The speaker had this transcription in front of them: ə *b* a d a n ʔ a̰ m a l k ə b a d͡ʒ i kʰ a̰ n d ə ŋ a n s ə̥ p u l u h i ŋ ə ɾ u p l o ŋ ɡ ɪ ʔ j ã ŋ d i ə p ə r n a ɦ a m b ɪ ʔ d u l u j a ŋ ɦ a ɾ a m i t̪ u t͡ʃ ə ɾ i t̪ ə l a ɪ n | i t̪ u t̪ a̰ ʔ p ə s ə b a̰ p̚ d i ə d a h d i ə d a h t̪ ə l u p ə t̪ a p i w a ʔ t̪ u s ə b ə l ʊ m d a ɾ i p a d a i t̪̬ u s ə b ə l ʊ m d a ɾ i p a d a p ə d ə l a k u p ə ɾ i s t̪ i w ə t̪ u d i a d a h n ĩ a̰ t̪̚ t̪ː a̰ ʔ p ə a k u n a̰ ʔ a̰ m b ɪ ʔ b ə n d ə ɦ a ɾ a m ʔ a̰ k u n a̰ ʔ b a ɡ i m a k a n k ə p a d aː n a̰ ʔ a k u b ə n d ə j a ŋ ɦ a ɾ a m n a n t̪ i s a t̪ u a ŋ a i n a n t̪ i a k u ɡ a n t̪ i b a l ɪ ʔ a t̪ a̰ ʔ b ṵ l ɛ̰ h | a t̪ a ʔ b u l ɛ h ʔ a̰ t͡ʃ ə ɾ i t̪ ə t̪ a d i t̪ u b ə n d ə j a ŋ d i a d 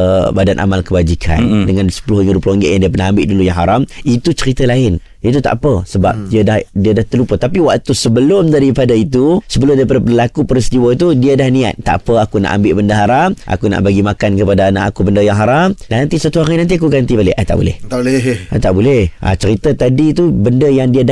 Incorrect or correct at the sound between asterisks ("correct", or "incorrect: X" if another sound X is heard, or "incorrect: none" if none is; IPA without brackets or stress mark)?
correct